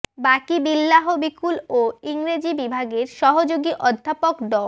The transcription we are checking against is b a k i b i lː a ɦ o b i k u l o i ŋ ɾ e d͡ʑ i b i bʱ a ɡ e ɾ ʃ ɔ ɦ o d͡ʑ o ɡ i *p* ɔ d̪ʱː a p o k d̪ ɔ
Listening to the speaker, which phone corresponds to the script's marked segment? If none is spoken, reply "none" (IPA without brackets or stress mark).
ʔ